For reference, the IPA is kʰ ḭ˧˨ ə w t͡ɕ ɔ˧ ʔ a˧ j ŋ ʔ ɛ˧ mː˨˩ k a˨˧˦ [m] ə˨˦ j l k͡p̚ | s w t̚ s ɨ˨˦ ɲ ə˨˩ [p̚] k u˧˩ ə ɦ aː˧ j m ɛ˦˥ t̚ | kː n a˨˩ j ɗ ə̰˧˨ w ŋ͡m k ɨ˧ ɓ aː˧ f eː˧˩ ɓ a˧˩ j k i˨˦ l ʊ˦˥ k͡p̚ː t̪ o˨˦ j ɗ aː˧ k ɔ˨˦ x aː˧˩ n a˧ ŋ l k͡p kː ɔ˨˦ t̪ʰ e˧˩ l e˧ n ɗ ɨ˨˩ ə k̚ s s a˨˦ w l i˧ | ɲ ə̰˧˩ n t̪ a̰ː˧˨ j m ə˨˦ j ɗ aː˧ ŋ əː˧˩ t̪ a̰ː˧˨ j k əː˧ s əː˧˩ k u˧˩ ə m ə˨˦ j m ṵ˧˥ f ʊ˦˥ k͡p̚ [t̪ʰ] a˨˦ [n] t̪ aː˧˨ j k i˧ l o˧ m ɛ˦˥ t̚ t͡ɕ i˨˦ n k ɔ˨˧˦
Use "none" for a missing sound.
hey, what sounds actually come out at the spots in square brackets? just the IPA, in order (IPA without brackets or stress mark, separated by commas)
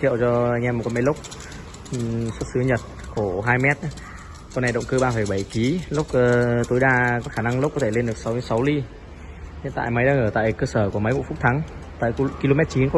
m, t̚, t̪ʰ, ŋ